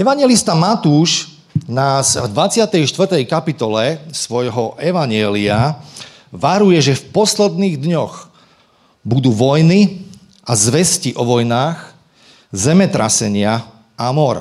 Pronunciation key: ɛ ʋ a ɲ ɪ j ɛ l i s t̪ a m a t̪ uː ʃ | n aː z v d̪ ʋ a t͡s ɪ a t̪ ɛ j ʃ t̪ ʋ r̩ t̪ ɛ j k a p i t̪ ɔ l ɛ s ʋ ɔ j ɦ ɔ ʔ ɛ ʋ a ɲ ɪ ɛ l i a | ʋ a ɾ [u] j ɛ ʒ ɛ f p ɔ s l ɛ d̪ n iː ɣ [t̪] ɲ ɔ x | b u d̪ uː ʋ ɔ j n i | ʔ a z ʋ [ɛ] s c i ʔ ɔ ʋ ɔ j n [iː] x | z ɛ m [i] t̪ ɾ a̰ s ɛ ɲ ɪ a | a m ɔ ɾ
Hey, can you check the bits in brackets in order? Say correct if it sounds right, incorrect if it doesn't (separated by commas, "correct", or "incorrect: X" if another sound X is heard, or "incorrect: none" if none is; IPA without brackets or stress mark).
correct, incorrect: d̪, correct, incorrect: aː, incorrect: ɛ